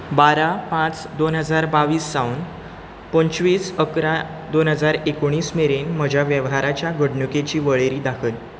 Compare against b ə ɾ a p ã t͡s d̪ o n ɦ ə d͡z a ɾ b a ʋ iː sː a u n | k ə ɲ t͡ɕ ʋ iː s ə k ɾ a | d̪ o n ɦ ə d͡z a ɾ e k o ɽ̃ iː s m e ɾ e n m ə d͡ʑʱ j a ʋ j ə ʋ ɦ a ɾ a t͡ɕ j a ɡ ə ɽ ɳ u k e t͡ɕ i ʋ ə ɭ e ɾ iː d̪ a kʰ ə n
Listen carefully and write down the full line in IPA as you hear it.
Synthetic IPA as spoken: b a ɾ a p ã t͡s d̪ o n ɦ ə d͡z a ɾ b a ʋ iː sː a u n | p ə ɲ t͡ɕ ʋ iː s ə k ɾ a | d̪ o n ɦ ə d͡z a ɾ e k o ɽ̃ iː s m e ɾ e n m ə d͡ʑʱ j a ʋ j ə ʋ ɦ a ɾ a t͡ɕ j a ɡ ə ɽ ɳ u k e t͡ɕ iː ʋ ə ɭ e ɾ iː d̪ a kʰ ə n